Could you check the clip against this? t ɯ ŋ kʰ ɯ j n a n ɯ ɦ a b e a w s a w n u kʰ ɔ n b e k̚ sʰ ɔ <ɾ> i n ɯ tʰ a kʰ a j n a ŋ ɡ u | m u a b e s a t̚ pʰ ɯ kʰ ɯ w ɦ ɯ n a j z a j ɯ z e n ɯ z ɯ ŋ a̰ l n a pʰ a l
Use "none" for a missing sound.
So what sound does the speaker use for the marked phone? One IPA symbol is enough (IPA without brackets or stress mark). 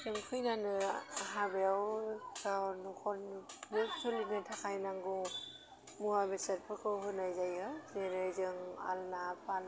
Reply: l